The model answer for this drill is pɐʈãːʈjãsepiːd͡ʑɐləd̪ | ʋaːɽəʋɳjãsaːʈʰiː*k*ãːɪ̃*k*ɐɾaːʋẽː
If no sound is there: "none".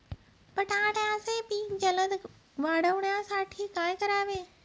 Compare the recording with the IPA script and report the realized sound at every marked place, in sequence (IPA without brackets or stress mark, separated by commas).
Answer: k, k